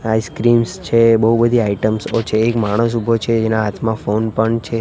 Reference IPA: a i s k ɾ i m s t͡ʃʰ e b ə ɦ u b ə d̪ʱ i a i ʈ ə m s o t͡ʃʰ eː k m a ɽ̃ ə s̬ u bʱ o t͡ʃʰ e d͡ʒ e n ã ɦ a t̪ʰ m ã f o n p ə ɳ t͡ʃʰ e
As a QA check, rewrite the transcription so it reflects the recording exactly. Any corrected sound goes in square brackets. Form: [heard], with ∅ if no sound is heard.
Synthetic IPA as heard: a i s k ɾ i m s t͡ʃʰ e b ə ɦ u b ə d̪ʱ i a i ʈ ə m s o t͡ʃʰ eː k m a ɽ̃ ə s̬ u bʱ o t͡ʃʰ e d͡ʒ e n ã ɦ a t̪ʰ m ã f o n p ə ɳ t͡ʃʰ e